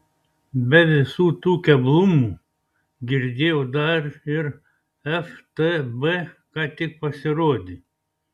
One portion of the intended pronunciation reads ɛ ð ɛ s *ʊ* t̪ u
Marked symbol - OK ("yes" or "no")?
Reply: no